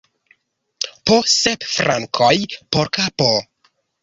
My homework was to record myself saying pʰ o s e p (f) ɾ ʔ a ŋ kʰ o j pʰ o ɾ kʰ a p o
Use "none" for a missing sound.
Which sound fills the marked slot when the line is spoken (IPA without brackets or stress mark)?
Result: f